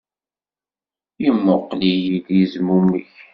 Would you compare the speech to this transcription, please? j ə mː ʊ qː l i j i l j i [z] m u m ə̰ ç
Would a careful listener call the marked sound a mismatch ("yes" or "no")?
no